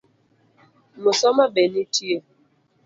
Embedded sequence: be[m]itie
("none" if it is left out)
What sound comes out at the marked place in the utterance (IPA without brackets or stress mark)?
n